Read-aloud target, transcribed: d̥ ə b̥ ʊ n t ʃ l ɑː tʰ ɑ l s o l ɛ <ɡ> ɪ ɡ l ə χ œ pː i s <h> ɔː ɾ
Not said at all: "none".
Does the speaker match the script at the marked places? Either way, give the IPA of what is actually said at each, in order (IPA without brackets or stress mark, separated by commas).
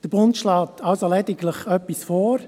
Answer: d, f